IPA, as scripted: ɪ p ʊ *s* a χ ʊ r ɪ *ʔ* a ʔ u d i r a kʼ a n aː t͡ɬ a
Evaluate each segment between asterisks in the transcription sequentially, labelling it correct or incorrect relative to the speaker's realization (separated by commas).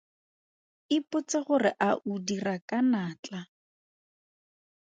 incorrect, correct